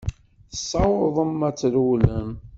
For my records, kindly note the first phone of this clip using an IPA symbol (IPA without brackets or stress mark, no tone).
θ